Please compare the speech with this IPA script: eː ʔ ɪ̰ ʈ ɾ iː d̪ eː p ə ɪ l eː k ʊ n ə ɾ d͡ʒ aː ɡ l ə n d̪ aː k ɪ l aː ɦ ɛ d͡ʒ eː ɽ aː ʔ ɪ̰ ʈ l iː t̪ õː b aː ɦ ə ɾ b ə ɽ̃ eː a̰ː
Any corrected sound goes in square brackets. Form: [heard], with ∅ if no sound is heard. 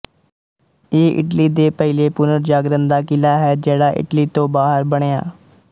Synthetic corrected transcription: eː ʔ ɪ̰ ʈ [l] iː d̪ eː p ə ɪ l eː [p] ʊ n ə ɾ d͡ʒ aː ɡ [ɾ] ə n d̪ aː k ɪ l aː ɦ [ɛː] d͡ʒ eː ɽ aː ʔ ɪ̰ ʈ l iː t̪ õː b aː ɦ ə ɾ b ə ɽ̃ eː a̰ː